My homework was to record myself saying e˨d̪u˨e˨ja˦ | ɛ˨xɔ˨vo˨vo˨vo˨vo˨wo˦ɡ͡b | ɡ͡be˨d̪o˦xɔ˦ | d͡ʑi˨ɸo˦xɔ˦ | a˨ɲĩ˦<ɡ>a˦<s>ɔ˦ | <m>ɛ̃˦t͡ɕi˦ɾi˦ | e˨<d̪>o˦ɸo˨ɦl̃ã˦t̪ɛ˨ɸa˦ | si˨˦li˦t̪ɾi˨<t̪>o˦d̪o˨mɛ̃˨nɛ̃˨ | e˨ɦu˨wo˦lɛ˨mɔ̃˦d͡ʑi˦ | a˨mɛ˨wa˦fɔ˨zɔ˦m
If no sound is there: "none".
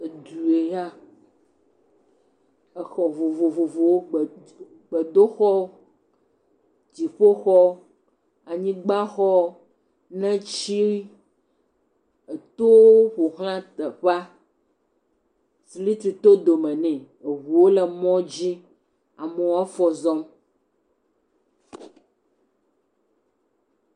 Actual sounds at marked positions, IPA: ɡ͡b, x, n, t̪, t̪

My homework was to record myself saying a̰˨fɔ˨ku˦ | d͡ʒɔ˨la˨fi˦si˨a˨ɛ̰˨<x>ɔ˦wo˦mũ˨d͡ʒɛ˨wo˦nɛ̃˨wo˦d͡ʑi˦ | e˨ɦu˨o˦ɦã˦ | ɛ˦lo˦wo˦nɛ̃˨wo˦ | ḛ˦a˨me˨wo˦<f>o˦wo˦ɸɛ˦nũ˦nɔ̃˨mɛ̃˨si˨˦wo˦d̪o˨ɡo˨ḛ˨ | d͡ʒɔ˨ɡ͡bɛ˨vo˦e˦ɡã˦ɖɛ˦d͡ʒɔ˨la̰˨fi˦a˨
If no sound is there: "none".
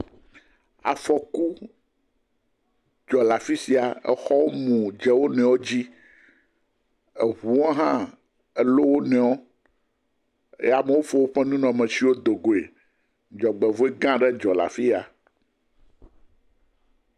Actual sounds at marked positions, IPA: x, f

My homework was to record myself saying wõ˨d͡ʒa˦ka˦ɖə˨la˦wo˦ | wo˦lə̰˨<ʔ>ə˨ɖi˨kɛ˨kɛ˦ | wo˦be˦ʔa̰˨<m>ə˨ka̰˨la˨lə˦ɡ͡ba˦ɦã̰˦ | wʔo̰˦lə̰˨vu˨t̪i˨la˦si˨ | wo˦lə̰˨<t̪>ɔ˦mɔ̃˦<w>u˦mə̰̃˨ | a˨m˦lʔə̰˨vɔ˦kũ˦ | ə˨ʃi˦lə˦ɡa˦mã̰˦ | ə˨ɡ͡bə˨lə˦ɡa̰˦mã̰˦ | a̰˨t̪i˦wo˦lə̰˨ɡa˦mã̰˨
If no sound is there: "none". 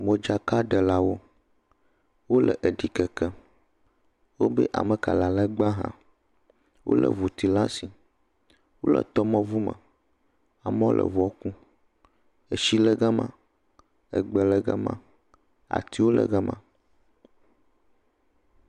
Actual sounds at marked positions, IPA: ʔ, m, t̪, v

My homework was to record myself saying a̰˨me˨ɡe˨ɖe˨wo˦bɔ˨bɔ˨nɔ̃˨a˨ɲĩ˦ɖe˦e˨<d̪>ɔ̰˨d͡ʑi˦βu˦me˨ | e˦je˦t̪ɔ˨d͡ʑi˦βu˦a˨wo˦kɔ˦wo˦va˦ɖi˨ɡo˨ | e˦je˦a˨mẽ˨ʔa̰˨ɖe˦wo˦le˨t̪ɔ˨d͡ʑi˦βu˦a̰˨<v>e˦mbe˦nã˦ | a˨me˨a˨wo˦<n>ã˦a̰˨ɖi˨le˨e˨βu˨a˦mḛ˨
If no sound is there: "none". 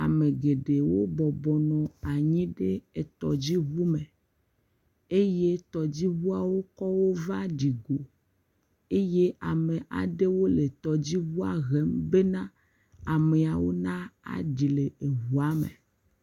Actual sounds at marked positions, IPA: t̪, ɣ, n

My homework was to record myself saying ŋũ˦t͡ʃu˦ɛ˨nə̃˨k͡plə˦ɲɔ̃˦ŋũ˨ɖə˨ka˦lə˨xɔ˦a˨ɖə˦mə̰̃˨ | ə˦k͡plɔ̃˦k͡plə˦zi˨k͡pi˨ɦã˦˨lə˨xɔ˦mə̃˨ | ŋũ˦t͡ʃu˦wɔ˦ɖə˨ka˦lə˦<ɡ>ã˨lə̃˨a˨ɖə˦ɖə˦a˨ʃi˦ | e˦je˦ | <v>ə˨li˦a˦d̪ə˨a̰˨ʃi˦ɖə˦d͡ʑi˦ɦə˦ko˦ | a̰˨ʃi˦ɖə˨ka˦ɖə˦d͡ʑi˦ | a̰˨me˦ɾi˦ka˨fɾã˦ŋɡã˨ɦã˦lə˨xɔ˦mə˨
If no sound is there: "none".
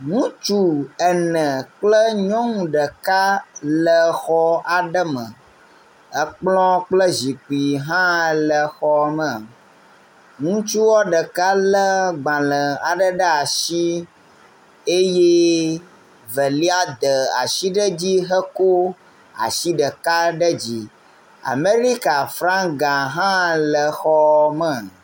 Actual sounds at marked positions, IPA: ɡ͡b, v

